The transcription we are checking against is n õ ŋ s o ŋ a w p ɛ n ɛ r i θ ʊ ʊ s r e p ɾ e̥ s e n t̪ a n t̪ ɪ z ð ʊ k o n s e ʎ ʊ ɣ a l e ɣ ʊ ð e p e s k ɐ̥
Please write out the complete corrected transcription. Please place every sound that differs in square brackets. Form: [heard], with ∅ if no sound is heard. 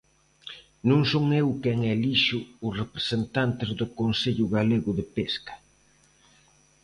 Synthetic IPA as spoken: n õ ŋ s o ŋ [e] w [k] ɛ [ŋ] ɛ [l] i [ʃ] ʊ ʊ s r e p ɾ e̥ s e n t̪ a n t̪ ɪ z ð ʊ k o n s e ʎ ʊ ɣ a l e ɣ ʊ ð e p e s k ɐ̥